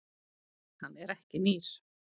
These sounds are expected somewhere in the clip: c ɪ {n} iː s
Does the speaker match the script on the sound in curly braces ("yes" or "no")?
yes